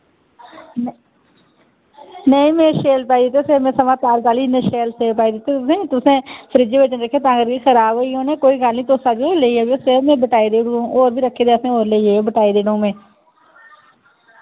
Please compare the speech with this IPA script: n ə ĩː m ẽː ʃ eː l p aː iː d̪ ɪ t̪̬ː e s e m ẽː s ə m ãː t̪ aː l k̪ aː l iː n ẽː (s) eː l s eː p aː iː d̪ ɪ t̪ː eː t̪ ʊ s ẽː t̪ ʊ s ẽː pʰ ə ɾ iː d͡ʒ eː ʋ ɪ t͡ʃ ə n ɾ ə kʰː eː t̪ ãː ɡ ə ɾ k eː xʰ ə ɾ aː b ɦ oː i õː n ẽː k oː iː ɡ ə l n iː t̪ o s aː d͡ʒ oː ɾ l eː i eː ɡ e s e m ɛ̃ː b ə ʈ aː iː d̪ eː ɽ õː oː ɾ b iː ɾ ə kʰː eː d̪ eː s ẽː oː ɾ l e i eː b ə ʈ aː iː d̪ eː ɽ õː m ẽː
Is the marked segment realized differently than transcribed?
yes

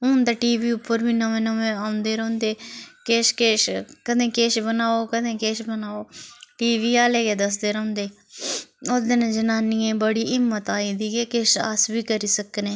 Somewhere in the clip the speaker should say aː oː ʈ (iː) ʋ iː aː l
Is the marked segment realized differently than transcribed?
no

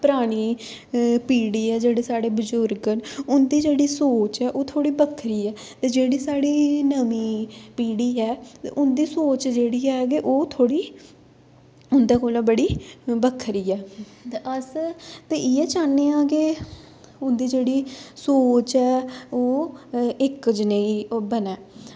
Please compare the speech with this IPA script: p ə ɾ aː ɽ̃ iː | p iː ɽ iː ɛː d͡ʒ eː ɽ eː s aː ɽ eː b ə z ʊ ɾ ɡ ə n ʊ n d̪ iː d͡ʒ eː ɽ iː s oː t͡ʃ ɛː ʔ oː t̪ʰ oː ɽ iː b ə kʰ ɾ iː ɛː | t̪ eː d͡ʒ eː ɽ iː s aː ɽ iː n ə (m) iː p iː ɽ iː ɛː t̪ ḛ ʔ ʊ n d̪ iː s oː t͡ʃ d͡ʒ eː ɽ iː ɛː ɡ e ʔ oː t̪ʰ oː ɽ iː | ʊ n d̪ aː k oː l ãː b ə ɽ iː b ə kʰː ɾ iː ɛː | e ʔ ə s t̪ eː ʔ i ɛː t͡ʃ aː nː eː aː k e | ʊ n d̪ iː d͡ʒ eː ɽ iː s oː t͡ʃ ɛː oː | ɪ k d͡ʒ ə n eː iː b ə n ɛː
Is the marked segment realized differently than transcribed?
no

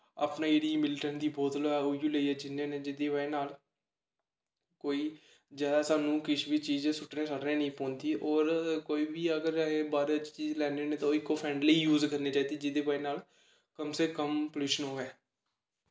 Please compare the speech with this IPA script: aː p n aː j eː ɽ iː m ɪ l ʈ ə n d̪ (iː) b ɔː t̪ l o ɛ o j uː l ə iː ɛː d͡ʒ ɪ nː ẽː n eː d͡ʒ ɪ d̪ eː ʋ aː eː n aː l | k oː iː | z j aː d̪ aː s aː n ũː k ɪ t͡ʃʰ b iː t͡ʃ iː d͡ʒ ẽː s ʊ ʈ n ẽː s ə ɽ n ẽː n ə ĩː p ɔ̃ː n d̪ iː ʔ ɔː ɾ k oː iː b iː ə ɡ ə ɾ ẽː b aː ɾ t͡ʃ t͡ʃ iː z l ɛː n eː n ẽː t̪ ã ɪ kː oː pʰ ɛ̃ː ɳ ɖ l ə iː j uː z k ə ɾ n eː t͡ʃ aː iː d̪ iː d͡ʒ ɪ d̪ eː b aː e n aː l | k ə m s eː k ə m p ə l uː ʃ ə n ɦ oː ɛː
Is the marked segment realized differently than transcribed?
no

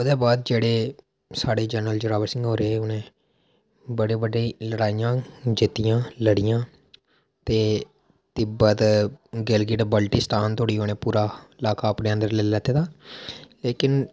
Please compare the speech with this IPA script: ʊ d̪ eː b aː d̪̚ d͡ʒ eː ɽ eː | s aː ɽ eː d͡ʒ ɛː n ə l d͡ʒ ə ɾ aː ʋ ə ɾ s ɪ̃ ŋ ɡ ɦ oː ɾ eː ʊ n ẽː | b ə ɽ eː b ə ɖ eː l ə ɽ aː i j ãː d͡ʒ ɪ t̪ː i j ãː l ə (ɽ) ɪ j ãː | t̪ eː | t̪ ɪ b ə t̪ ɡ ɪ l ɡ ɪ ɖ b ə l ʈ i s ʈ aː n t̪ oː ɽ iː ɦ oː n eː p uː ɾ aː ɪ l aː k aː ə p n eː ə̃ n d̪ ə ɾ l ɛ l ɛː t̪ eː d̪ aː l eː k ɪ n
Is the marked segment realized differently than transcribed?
no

